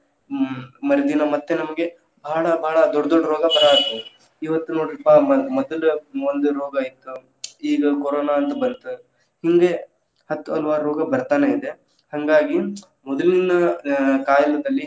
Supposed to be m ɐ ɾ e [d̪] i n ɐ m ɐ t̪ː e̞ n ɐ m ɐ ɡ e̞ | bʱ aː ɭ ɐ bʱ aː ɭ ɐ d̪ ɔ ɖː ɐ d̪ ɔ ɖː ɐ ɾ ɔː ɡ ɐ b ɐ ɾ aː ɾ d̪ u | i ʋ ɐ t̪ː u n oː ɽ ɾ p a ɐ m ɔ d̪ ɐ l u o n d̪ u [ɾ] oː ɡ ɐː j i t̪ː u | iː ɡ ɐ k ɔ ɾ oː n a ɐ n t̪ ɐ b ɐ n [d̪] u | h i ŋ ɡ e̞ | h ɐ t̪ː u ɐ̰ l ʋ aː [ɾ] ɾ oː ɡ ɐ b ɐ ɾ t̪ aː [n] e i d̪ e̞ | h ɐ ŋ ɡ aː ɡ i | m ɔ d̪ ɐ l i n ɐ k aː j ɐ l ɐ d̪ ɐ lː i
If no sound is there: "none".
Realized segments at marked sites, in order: d̪, ɾ, t̪, ɾ, n

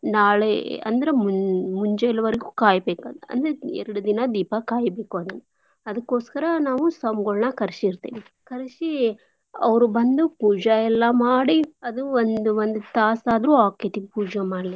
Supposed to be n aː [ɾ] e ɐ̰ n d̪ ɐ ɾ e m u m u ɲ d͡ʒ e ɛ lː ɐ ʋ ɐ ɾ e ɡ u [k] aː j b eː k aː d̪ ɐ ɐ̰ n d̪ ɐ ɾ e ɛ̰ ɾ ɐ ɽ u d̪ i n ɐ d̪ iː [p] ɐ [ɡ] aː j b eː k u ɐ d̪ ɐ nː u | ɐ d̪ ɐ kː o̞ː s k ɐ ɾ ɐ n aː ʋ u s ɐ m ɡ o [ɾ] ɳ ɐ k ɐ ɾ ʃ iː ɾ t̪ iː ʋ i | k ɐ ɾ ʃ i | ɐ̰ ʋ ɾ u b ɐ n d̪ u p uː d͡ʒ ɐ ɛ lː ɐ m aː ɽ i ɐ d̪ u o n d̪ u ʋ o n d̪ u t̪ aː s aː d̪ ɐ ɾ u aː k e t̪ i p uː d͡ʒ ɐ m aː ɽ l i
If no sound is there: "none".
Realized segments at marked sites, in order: ɭ, k, p, k, ɭ

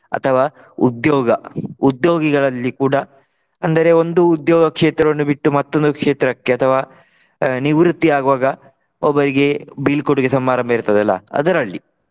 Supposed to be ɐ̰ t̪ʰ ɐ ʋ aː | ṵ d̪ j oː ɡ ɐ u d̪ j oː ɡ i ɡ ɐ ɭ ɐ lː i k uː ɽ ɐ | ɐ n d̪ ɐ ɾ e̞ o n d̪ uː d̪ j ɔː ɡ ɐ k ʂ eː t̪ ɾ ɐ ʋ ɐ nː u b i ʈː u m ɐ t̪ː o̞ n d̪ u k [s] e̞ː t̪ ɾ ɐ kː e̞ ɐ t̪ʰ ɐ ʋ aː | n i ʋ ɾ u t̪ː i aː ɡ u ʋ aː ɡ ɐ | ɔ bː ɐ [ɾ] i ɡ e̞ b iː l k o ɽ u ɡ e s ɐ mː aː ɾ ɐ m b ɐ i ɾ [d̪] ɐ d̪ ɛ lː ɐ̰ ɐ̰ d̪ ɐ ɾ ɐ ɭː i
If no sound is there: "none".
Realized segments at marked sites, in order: ʂ, ɾ, t̪

